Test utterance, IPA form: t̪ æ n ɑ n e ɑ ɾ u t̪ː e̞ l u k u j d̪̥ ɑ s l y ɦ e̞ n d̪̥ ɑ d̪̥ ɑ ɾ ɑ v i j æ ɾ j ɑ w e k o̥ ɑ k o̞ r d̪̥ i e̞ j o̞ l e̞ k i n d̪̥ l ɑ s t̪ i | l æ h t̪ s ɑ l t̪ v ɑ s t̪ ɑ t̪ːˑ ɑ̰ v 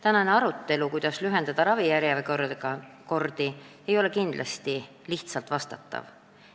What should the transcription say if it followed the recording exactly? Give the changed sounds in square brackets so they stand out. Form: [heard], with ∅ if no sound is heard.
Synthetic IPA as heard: t̪ æ n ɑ n e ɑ ɾ u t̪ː e̞ l u k u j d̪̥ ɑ s l y ɦ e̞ n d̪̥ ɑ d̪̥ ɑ ɾ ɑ v i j æ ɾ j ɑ [v] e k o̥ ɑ k o̞ r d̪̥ i e̞ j o̞ l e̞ k i n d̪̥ l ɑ s t̪ i | l [i] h t̪ s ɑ l t̪ v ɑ s t̪ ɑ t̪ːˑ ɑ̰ v